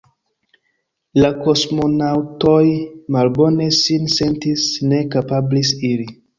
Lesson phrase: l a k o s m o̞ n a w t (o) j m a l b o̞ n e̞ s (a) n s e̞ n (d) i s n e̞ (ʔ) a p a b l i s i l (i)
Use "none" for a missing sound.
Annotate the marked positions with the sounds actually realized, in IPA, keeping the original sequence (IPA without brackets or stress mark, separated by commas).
o, i, t, k, i